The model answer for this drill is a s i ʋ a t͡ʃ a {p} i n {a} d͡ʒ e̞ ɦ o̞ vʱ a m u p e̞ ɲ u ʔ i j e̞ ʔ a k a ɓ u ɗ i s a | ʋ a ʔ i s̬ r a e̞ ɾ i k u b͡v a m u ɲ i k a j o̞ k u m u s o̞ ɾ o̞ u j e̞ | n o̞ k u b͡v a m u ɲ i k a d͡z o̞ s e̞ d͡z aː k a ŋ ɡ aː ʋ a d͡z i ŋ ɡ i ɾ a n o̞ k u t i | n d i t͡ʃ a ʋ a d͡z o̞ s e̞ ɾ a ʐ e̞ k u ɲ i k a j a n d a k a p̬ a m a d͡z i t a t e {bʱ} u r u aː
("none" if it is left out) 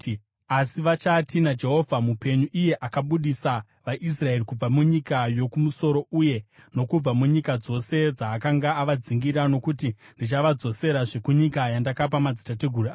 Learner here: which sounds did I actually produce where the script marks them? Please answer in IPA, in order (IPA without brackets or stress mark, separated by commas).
t, a, ɡʱ